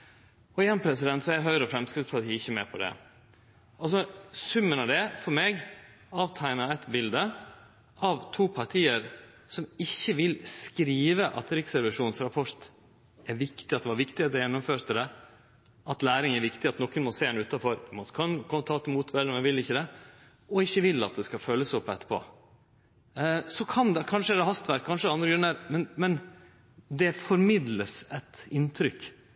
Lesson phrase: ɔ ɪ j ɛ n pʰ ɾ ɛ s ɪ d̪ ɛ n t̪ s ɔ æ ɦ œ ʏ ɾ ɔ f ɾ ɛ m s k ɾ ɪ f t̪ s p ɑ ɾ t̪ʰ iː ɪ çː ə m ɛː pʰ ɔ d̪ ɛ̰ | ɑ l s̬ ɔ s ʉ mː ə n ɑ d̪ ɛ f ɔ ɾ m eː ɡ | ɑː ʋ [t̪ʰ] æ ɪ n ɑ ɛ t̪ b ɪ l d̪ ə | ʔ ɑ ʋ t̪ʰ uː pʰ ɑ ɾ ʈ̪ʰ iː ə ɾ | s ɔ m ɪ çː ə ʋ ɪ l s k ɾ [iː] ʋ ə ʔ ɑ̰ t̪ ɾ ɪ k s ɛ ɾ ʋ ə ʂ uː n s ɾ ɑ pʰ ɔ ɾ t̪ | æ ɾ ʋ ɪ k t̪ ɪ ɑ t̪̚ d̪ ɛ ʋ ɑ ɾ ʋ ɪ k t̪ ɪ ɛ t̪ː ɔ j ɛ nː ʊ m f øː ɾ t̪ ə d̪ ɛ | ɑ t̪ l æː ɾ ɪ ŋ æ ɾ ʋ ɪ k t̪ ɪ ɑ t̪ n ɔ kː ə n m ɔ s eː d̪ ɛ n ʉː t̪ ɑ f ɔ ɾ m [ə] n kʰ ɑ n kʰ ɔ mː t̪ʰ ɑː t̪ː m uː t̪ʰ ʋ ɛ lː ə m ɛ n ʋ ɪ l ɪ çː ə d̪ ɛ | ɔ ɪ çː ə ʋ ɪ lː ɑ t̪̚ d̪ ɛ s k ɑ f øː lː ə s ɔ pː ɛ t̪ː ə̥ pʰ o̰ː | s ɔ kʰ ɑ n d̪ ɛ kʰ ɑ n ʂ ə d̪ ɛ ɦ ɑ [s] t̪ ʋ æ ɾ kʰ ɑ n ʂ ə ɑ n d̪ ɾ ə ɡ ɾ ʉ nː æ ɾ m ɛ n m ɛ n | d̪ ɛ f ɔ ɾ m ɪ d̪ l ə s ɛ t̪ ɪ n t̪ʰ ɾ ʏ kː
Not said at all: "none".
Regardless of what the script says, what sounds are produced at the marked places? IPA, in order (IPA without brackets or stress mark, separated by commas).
t̪ʰ, iː, ɑ, s